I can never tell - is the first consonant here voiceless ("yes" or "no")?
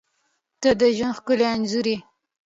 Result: yes